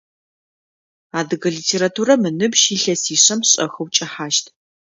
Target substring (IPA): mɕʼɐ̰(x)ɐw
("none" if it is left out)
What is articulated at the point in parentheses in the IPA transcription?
x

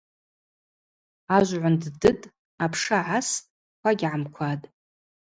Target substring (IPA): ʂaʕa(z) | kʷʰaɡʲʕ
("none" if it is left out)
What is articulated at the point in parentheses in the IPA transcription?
s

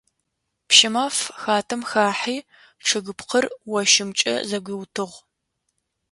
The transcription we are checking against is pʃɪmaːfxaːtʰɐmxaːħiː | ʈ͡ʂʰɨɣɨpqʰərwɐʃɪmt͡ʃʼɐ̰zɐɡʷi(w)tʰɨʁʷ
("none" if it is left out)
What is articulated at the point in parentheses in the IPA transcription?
w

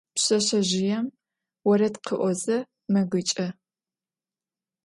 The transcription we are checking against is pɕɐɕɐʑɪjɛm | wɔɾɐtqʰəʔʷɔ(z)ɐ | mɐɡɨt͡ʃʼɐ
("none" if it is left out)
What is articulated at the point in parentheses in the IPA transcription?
z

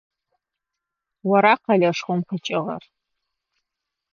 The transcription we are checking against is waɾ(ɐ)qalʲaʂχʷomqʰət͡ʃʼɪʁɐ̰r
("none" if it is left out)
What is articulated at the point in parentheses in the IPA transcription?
a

